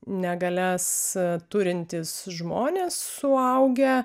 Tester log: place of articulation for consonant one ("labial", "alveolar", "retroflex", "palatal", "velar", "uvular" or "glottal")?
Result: alveolar